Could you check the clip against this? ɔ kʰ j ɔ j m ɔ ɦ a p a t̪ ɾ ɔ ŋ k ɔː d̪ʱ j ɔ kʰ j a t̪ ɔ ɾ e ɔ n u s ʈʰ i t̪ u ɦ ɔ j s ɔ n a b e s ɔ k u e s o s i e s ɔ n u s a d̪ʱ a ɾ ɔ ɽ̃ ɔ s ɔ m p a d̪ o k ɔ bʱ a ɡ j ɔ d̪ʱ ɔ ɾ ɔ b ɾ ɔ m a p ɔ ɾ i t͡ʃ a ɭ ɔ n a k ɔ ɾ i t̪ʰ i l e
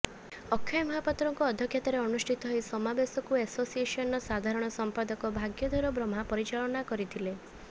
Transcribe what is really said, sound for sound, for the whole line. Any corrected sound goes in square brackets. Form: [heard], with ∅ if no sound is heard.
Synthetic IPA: ɔ kʰ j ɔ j m ɔ ɦ a p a t̪ ɾ ɔ ŋ k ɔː d̪ʱ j ɔ kʰ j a t̪ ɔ ɾ e ɔ n u s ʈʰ i t̪ [ɔ] ɦ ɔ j s ɔ [m] a b e s ɔ k u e s o s i e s ɔ n [ɔ] s a d̪ʱ a ɾ ɔ ɽ̃ ɔ s ɔ m p a d̪ [ɔ] k ɔ bʱ a ɡ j ɔ d̪ʱ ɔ ɾ ɔ b ɾ ɔ m a p ɔ ɾ i t͡ʃ a ɭ ɔ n a k ɔ ɾ i t̪ʰ i l e